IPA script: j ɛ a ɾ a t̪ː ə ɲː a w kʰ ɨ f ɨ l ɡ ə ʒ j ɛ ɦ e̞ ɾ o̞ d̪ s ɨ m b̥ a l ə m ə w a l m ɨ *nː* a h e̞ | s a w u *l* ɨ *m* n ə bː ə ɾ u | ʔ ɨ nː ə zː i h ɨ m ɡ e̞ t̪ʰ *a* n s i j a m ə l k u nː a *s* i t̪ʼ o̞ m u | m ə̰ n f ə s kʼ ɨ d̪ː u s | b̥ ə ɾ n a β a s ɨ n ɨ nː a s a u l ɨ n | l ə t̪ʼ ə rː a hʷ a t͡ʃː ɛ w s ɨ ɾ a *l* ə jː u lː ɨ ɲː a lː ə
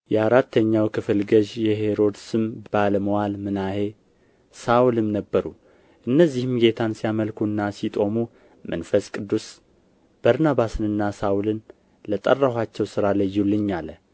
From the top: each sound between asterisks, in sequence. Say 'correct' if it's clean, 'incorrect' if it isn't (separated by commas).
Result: incorrect, correct, correct, correct, correct, correct